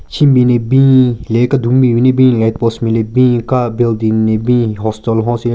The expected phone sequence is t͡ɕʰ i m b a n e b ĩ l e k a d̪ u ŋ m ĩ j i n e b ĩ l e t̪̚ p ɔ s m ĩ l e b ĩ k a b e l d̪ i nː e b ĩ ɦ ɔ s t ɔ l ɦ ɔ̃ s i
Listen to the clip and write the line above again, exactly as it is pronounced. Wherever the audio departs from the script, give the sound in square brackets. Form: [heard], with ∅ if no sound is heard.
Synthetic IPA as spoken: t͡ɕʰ i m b [i] n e b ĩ l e k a d̪ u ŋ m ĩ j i n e b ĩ l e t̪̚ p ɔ s m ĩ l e b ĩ k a b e l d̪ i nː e b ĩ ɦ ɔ s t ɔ l ɦ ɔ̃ s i